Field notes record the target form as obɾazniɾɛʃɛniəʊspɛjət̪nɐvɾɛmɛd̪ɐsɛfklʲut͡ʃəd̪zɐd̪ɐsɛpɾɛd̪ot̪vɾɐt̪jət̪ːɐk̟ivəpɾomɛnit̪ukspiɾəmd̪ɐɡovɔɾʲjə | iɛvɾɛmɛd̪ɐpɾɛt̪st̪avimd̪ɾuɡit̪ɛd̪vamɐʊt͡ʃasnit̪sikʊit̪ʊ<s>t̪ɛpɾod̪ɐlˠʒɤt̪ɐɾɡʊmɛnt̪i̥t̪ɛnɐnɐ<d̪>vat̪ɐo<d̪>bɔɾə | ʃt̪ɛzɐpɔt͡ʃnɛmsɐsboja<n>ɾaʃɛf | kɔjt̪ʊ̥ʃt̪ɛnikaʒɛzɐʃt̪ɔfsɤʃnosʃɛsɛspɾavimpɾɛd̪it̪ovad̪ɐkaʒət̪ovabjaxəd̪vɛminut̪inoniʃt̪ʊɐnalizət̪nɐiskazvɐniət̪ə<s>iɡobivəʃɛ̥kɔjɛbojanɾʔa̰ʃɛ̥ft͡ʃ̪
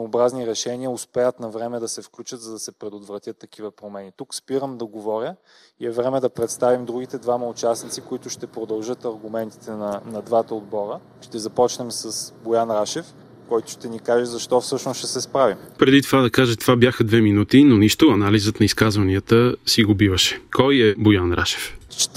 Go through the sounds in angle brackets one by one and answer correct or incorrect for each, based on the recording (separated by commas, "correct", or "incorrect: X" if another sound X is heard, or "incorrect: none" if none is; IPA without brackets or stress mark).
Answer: incorrect: ʃ, correct, correct, correct, correct